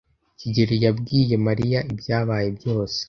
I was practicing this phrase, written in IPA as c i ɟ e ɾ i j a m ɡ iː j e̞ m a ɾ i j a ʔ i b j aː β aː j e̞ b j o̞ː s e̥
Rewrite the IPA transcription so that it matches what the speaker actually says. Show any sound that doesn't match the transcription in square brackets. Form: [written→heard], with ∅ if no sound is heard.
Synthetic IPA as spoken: c i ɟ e ɾ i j a [m→b] ɡ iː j e̞ m a ɾ i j a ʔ i b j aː β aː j e̞ b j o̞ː s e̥